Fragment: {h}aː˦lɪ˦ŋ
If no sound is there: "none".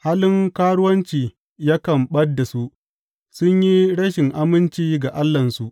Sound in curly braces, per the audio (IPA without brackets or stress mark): h